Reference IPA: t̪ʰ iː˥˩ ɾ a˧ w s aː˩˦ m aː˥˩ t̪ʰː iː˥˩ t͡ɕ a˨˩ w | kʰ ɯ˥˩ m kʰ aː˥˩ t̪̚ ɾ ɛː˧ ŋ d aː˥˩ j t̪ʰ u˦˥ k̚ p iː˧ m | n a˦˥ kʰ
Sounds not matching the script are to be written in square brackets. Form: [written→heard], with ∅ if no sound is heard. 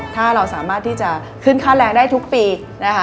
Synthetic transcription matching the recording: t̪ʰ [iː˥˩→aː˥˩] ɾ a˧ w s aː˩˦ m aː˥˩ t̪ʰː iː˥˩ t͡ɕ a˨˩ [w→∅] | kʰ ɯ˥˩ [m→n] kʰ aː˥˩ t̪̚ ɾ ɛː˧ ŋ d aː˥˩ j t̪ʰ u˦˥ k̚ p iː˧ [m→∅] | n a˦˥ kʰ